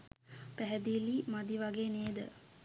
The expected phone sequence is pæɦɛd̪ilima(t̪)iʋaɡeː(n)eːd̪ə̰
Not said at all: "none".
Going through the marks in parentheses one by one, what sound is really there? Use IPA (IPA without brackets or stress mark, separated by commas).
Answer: d̪, n